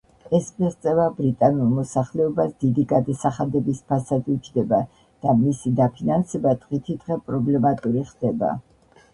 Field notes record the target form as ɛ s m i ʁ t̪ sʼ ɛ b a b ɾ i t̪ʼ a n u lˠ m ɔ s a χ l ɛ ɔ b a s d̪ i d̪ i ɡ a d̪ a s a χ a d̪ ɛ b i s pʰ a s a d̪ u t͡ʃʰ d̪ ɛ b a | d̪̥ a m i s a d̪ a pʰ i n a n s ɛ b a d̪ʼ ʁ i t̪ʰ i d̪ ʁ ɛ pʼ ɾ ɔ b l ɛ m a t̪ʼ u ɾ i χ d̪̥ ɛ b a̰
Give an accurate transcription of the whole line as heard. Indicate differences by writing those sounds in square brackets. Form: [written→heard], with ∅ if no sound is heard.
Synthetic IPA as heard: ɛ s m i ʁ t̪ sʼ ɛ [b→v] a b ɾ i t̪ʼ a n u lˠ m ɔ s a χ l ɛ ɔ b a s d̪ i d̪ i ɡ a d̪ a s a χ a d̪ ɛ b i s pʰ a s a d̪ u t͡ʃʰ d̪ ɛ b a | d̪̥ a m i s [a→i] d̪ a pʰ i n a n s ɛ b a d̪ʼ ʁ i t̪ʰ i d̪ ʁ ɛ pʼ ɾ ɔ b l ɛ m a t̪ʼ u ɾ i χ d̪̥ ɛ b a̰